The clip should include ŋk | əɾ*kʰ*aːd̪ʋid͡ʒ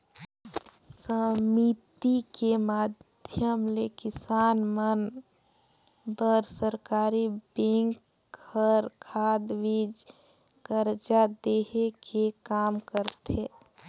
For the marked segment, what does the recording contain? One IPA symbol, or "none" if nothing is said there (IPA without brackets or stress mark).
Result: kʰ